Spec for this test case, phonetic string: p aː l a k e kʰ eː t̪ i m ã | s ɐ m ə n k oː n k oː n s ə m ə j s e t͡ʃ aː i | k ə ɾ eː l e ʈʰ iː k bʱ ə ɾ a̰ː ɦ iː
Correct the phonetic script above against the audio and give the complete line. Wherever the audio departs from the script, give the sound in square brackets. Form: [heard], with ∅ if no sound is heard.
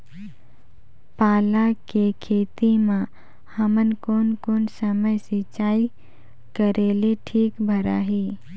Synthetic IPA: p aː l a k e kʰ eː t̪ i m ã | [h] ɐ m ə n k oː n k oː n s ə m ə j s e t͡ʃ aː i | k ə ɾ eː l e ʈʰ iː k bʱ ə ɾ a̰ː ɦ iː